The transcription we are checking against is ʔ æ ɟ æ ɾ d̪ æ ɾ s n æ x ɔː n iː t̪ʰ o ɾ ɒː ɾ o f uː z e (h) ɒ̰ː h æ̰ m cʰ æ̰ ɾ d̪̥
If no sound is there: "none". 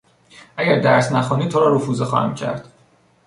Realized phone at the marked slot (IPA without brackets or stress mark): x